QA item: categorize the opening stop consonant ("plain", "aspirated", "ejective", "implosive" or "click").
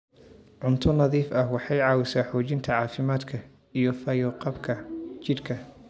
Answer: aspirated